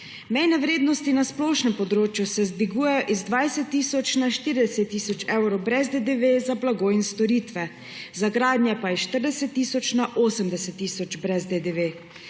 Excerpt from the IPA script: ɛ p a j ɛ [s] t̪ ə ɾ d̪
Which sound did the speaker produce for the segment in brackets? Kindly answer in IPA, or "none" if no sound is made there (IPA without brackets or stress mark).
ʃ